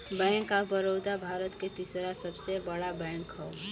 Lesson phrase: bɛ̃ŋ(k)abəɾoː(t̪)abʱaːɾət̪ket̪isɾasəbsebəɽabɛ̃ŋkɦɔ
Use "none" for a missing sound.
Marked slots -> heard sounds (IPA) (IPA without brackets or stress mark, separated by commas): k, d̪